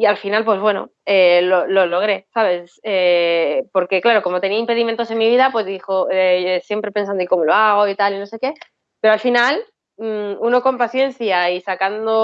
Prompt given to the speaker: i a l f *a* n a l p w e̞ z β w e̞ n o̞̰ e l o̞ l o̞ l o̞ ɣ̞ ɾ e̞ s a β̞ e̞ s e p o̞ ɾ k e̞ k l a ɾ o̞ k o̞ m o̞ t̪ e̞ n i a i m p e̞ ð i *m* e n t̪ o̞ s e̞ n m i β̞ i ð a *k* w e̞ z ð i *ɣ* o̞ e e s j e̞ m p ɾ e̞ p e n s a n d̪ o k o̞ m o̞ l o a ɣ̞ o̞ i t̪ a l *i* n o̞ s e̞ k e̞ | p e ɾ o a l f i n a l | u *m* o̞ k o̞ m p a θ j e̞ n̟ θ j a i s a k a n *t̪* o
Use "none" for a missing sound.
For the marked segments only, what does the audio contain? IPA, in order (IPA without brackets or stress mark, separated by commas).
i, m, p, x, i, n, d̪